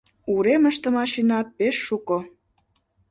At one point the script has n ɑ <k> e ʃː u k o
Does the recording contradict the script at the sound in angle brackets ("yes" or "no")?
yes